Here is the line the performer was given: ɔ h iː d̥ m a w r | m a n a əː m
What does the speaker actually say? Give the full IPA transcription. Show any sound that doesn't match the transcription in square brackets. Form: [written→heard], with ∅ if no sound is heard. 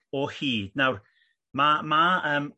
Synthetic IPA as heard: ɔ h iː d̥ [m→n] a w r | m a [n→m] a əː m